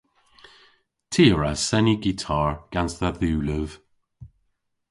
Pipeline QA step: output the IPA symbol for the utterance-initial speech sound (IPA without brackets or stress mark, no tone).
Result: tʰ